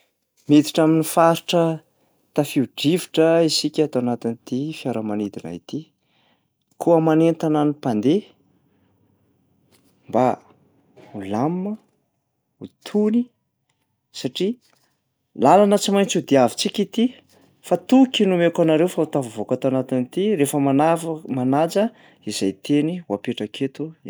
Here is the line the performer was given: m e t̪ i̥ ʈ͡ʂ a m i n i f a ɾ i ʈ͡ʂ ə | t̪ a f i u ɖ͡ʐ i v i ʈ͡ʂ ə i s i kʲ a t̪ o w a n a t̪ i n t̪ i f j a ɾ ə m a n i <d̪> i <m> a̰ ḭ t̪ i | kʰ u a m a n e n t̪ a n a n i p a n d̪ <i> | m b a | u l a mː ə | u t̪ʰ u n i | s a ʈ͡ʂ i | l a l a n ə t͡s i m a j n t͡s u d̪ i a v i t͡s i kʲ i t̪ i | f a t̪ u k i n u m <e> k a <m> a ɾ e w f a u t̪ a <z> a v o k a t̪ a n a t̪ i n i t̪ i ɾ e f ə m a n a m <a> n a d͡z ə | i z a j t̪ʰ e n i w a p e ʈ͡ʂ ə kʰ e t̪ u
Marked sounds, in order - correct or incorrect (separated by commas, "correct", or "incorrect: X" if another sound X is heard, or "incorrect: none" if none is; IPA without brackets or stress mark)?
correct, incorrect: n, incorrect: e, correct, incorrect: n, incorrect: v, correct